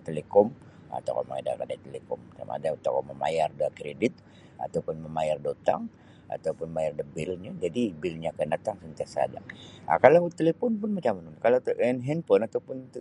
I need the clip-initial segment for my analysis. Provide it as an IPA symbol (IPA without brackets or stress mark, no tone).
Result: t̪